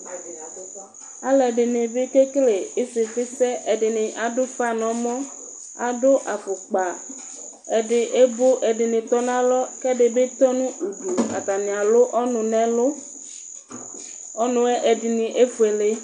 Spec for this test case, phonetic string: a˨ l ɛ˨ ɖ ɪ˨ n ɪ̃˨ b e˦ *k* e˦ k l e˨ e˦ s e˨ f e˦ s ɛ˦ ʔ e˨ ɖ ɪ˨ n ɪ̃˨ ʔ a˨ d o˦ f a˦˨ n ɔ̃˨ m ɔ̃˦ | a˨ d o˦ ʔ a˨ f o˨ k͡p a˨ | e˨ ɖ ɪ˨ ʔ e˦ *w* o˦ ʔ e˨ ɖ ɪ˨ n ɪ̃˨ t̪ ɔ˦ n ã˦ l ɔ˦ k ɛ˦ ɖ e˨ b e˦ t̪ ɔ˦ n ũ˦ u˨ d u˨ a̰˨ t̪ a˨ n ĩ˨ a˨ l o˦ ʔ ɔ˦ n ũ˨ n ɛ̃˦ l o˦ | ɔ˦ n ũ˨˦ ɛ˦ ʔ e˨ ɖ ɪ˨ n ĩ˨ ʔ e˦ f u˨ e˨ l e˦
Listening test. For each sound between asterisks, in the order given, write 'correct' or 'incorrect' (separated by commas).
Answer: correct, incorrect